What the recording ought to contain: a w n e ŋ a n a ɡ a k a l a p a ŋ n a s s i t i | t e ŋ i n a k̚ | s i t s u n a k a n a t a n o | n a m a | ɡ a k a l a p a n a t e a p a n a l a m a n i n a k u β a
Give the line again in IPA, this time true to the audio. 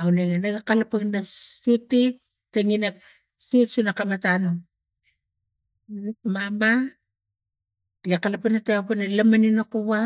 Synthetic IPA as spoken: a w n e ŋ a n a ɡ a k a l a p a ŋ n a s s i t i | t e ŋ i n a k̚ | s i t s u n a k a m a t a n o | m a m a | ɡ a k a l a p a n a t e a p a n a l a m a n i n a k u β a